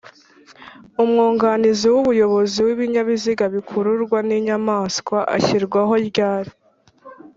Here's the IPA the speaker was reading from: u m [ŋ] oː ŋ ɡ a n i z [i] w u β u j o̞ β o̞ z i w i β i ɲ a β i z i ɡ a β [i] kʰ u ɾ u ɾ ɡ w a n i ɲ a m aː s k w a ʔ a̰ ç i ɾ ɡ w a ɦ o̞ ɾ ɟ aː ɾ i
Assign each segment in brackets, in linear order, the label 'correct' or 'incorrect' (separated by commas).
correct, correct, correct